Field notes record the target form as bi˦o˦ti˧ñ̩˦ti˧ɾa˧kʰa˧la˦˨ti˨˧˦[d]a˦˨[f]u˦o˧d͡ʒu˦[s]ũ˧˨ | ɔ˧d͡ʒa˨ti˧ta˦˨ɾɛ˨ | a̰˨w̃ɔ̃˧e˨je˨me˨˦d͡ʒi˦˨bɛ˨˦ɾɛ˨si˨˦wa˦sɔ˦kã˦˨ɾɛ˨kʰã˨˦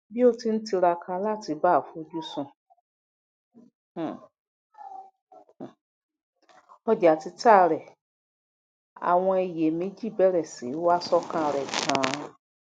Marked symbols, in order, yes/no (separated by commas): no, yes, yes